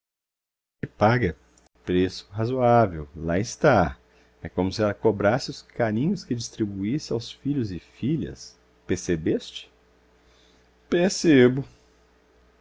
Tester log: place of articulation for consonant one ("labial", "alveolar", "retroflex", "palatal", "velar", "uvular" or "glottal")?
labial